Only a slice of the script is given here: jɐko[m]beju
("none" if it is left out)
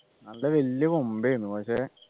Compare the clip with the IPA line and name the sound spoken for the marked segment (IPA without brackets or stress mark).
m